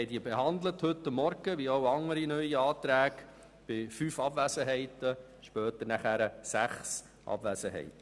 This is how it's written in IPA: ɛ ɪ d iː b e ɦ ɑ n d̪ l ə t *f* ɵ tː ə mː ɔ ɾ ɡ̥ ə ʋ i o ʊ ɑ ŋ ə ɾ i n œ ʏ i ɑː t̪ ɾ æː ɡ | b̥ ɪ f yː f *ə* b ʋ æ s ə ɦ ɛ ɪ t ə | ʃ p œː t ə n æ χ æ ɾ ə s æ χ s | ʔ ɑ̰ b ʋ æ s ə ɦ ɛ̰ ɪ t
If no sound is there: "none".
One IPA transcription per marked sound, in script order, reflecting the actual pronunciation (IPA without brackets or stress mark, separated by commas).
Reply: h, ɑ